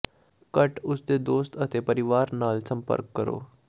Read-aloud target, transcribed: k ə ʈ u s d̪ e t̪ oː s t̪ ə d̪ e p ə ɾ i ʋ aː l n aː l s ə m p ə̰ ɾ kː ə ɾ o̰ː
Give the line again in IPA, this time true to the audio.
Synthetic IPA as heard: k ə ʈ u s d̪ e d̪ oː s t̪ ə t̪ e p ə ɾ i ʋ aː ɾ n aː l s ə m p ə̰ ɾ kː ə ɾ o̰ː